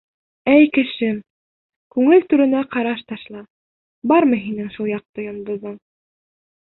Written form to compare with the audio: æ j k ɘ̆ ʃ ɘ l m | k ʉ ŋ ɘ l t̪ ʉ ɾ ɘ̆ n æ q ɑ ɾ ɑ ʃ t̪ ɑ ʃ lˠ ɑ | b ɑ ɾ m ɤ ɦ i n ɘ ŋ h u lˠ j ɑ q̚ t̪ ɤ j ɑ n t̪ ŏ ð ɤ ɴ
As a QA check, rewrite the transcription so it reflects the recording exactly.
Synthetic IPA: æ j k ɘ̆ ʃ ɘ m | k ʉ ŋ ɘ l t̪ ʉ ɾ ɘ̆ n æ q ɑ ɾ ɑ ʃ t̪ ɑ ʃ lˠ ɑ | b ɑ ɾ m ɤ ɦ i n ɘ ŋ ʃ u lˠ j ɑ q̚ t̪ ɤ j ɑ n d̪ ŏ ð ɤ ɴ